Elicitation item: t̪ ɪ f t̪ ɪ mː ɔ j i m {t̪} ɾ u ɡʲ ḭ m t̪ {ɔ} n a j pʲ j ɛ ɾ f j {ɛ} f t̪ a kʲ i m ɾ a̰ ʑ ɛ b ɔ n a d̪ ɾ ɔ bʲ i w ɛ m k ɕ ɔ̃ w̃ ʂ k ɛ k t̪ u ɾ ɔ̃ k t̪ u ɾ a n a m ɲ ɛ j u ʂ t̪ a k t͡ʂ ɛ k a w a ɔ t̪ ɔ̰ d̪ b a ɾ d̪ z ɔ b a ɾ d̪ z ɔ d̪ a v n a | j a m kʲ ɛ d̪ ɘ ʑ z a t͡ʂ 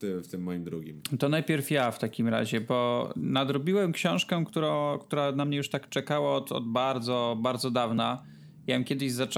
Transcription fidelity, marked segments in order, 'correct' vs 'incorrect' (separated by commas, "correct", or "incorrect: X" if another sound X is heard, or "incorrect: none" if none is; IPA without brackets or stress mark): incorrect: d̪, correct, incorrect: a